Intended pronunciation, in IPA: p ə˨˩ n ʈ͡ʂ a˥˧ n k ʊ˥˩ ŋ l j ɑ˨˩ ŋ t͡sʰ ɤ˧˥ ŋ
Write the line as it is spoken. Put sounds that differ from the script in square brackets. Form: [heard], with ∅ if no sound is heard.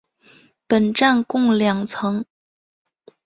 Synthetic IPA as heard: p ə˨˩ n ʈ͡ʂ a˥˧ n k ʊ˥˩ ŋ l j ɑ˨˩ ŋ t͡sʰ ɤ˧˥ ŋ